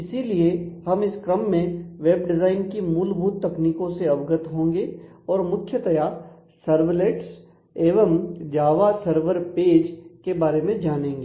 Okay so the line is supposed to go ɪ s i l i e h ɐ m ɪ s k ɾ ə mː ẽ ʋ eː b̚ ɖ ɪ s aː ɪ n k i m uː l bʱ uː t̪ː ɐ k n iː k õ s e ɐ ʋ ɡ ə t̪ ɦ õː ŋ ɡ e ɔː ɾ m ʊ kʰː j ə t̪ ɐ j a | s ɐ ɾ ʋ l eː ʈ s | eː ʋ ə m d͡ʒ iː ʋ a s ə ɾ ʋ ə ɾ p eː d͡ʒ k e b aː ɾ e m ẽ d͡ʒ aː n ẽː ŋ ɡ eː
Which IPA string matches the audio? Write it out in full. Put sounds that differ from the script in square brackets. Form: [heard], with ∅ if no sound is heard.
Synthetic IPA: ɪ s i l i e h ɐ m ɪ s k ɾ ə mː ẽ ʋ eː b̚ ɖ ɪ [z] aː ɪ n k i m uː l bʱ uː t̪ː ɐ k n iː k õ s e ɐ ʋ ɡ ə t̪ ɦ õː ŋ ɡ e ɔː ɾ m ʊ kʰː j ə t̪ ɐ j a | s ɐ ɾ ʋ l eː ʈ s | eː ʋ ə m d͡ʒ [aː] ʋ a s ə ɾ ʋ ə ɾ p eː d͡ʒ k e b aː ɾ e m ẽ d͡ʒ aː n ẽː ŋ ɡ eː